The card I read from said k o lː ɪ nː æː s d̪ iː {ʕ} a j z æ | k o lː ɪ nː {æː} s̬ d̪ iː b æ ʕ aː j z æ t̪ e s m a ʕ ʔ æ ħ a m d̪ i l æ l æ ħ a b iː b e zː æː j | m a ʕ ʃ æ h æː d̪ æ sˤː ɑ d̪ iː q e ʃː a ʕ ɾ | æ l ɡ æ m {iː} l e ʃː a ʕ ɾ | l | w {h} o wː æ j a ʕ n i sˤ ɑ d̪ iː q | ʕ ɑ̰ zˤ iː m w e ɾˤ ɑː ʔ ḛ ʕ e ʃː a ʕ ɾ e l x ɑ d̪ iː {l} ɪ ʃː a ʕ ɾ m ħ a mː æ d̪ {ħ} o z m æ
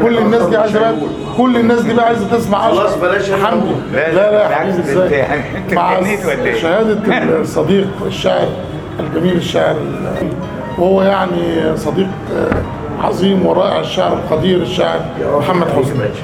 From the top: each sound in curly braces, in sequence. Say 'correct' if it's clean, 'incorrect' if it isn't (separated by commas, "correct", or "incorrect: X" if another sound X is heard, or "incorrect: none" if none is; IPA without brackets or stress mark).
correct, correct, correct, correct, incorrect: ɾ, correct